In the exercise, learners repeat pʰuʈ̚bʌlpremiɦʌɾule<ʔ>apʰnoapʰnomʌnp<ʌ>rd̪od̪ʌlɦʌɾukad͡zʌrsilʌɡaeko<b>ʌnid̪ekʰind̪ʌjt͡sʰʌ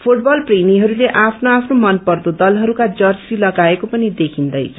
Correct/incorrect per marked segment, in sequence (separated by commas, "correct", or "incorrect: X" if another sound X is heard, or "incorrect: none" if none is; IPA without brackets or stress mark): correct, correct, incorrect: p